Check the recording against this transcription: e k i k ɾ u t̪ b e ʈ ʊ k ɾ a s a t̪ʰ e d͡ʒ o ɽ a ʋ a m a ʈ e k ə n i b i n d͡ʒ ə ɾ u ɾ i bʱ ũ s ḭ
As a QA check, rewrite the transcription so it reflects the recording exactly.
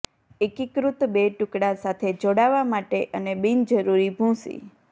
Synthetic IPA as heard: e k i k ɾ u t̪ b e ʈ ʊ k ɽ a s a t̪ʰ e d͡ʒ o ɽ a ʋ a m a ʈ e ʔ ə n e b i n d͡ʒ ə ɾ u ɾ i bʱ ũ s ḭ